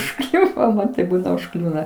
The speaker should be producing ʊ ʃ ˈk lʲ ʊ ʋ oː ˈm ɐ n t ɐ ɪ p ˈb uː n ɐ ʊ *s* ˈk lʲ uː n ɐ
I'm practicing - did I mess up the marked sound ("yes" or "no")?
yes